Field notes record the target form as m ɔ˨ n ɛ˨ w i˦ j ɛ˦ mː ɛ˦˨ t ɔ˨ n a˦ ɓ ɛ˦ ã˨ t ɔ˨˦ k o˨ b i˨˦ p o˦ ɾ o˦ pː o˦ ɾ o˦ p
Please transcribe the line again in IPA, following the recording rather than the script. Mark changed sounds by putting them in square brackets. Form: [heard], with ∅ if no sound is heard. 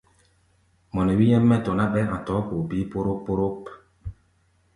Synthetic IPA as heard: m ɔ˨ n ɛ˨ w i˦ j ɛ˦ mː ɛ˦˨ t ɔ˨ n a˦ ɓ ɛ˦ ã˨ t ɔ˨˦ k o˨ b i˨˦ p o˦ ɾ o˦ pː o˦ ɾ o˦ p